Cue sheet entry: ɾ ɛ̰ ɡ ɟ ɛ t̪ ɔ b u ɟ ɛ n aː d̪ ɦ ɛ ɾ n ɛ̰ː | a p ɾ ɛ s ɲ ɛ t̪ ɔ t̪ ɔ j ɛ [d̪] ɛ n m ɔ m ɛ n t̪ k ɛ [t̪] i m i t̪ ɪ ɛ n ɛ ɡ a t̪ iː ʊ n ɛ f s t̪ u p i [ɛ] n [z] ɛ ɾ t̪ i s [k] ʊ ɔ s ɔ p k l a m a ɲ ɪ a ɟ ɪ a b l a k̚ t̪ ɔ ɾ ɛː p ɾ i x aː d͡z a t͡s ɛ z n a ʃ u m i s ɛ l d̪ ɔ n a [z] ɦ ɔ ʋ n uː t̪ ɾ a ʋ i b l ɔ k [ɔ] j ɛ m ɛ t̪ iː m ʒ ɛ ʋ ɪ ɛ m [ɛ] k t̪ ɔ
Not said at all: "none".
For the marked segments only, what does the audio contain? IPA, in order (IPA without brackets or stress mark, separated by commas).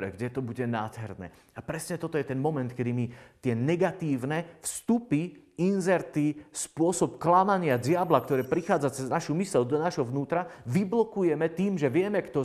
t̪, d̪, i, z, p, ʒ, u, ɛ